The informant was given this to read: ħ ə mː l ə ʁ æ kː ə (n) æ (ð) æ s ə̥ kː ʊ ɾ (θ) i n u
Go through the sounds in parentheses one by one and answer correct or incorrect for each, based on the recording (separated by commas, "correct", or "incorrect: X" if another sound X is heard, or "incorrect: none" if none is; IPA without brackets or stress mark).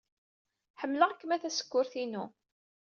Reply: incorrect: m, incorrect: θ, correct